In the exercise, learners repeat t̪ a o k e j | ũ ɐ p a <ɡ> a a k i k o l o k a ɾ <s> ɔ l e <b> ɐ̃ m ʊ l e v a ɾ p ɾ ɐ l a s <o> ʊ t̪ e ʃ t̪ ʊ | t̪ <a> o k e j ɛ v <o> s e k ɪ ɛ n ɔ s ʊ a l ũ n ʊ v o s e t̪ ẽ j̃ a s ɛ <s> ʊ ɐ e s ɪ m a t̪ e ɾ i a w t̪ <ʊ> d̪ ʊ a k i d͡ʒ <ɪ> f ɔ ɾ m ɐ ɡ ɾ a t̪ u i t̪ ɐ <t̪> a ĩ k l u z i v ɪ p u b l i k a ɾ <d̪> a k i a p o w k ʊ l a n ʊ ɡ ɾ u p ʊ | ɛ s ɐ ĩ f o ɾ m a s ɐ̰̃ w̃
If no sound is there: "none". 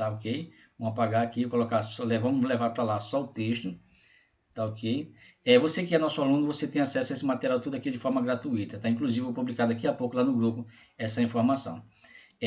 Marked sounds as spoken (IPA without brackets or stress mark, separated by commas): ɡ, s, v, ɔ, a, o, s, u, ɪ, t̪, d̪